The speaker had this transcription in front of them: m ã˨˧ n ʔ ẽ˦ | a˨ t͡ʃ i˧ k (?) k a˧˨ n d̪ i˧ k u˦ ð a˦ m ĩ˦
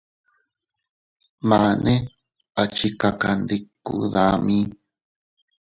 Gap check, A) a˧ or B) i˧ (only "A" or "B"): A